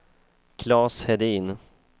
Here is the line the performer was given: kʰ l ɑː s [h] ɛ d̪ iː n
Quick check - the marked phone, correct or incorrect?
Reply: correct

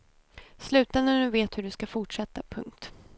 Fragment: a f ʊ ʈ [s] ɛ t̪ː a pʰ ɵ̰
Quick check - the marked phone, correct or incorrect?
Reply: incorrect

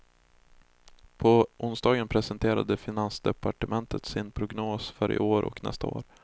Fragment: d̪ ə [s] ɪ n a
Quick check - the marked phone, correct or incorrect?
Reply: incorrect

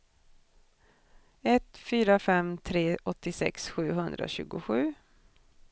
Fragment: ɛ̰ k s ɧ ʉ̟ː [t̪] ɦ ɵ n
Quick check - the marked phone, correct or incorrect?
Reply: incorrect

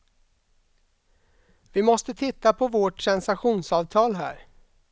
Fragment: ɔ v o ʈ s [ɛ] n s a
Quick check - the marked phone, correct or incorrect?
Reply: correct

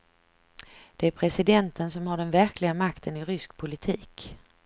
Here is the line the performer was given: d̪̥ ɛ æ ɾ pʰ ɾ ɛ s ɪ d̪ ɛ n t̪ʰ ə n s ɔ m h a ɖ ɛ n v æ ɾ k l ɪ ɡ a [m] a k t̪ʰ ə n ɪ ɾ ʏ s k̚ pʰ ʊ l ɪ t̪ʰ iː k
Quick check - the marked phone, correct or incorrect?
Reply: correct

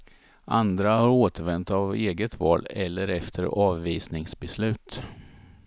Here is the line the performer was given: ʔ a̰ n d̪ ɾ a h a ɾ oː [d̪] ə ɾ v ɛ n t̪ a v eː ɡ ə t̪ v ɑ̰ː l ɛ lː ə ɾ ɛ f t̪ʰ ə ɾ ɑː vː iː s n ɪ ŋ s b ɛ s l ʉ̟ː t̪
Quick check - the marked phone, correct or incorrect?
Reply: incorrect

